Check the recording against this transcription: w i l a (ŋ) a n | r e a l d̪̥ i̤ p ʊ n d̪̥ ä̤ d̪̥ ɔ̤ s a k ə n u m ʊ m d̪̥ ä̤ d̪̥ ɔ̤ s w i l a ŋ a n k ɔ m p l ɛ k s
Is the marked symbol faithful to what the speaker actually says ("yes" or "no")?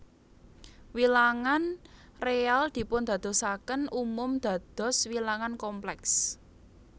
yes